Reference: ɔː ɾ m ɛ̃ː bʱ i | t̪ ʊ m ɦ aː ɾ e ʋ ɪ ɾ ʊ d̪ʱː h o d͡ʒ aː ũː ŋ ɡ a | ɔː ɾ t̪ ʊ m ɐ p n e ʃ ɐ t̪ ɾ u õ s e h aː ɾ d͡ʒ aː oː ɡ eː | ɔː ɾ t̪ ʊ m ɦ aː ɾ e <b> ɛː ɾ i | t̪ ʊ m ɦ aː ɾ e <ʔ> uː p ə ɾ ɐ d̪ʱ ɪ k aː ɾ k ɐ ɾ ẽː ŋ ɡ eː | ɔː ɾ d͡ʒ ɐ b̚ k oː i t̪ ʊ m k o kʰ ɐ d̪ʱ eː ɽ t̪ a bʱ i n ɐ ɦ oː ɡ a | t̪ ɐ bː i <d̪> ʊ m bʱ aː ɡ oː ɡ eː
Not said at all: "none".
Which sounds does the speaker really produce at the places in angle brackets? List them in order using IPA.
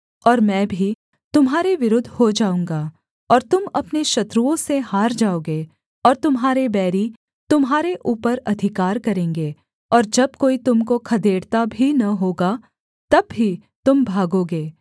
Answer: b, ʔ, t̪

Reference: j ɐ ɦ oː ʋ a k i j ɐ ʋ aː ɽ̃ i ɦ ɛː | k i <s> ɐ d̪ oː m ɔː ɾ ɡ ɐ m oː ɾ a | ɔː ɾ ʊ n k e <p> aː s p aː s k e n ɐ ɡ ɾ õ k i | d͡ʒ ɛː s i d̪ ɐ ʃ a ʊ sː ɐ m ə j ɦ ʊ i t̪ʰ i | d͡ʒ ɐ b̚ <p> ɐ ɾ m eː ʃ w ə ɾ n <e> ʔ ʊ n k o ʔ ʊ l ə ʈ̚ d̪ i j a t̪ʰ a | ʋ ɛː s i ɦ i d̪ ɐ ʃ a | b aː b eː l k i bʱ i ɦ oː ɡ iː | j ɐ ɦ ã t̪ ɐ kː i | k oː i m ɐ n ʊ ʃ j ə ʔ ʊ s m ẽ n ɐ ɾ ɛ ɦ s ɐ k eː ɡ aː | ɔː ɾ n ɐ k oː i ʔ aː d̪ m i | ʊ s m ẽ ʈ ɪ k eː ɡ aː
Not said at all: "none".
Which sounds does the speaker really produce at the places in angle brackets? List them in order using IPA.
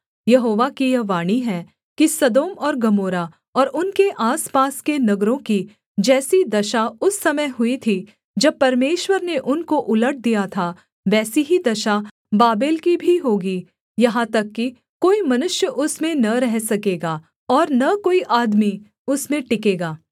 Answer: s, ʔ, p, e

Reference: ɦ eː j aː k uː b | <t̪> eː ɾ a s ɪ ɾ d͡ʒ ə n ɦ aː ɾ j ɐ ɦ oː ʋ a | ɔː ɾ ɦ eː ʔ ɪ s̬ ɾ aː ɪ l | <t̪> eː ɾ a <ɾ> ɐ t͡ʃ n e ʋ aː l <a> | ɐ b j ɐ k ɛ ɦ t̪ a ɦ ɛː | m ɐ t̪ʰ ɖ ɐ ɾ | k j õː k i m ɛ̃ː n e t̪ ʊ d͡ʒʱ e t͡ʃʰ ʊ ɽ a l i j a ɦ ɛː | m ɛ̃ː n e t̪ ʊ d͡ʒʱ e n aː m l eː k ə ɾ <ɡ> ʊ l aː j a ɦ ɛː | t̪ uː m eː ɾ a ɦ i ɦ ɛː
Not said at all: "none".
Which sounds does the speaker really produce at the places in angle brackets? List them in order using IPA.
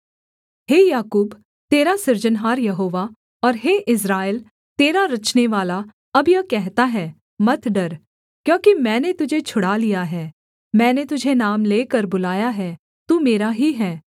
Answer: t̪, t̪, ɾ, a, b

